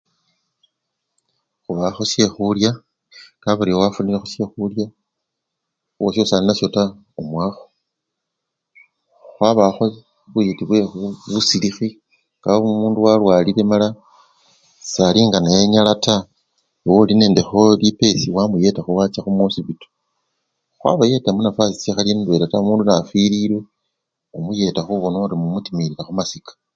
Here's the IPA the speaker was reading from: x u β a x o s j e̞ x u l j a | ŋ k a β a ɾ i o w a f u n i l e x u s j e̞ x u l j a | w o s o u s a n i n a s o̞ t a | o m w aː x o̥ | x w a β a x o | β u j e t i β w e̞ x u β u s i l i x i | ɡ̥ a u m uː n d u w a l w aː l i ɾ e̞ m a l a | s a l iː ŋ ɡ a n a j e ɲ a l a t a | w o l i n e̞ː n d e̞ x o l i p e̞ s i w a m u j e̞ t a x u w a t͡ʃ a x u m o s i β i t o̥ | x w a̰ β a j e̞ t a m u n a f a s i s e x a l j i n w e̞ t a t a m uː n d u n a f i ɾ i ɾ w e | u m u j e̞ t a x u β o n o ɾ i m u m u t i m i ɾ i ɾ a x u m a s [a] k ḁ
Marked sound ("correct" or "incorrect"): incorrect